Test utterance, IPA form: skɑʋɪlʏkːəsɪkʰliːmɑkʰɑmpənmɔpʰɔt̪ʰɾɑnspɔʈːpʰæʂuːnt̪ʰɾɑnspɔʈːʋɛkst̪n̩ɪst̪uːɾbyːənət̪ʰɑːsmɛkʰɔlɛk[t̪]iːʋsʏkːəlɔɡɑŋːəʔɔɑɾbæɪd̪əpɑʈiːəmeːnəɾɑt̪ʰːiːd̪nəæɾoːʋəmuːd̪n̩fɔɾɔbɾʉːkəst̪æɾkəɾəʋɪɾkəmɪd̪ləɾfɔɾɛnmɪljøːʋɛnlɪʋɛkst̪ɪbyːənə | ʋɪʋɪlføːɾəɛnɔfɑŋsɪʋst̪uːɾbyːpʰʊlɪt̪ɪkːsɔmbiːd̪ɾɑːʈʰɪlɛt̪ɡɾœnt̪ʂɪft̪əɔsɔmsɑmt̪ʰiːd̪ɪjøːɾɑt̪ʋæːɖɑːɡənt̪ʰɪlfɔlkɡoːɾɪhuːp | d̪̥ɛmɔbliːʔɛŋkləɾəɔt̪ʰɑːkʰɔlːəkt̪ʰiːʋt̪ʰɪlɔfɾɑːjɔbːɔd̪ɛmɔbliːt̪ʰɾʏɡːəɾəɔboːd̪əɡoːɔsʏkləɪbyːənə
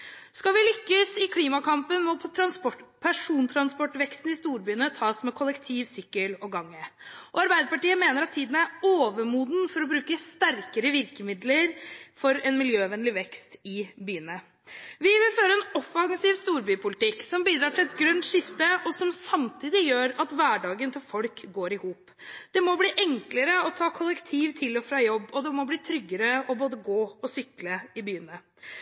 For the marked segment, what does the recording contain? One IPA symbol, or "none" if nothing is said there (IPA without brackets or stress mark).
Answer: t̪ʰ